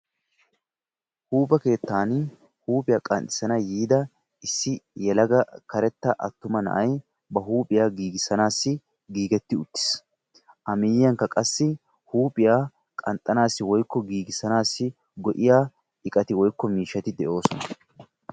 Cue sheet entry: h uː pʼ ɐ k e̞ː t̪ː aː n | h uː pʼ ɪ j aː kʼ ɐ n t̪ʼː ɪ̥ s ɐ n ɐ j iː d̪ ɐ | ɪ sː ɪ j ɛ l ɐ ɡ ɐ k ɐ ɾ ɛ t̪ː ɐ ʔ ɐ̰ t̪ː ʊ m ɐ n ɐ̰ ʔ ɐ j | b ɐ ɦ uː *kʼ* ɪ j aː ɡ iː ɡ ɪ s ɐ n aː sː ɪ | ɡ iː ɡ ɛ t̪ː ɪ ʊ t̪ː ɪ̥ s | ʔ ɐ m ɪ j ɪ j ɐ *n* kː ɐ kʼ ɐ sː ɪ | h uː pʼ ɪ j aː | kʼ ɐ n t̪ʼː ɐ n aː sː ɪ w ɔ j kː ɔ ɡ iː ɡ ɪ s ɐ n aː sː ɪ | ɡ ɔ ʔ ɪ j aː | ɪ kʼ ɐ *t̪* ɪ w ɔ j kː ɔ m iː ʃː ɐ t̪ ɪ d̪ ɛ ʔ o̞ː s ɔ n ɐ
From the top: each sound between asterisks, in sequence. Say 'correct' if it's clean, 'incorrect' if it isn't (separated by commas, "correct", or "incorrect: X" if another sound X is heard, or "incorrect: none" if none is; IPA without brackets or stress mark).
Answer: incorrect: pʼ, incorrect: ŋ, correct